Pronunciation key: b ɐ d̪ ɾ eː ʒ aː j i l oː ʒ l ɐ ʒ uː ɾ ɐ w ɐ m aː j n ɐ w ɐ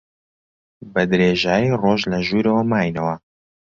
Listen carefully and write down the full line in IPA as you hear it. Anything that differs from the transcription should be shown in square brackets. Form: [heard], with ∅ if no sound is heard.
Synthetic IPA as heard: b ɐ d̪ ɾ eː ʒ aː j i [r] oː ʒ l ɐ ʒ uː ɾ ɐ w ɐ m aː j n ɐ w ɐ